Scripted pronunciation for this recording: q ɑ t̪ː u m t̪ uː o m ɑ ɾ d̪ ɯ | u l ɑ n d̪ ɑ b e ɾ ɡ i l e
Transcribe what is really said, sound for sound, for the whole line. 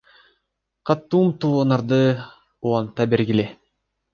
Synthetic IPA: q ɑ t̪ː u m t̪ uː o n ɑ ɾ d̪ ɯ | u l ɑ n t̪ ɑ b e ɾ ɡ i l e